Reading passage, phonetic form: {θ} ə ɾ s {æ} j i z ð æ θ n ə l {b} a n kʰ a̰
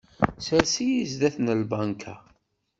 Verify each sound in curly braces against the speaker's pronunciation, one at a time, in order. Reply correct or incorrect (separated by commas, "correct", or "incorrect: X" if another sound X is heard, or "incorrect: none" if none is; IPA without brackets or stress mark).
incorrect: s, incorrect: i, correct